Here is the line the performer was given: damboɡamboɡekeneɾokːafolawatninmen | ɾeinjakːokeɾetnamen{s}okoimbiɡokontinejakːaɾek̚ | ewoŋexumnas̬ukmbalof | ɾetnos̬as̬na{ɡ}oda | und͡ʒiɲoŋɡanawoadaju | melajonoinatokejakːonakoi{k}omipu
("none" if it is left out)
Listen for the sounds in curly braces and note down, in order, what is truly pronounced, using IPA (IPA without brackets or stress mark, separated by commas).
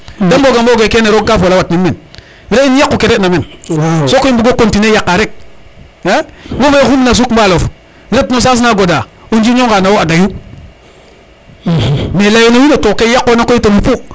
s, ɡ, t